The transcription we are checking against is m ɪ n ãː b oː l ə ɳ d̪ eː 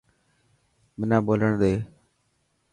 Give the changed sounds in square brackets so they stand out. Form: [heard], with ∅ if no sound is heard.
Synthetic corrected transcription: m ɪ n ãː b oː l ə ɳ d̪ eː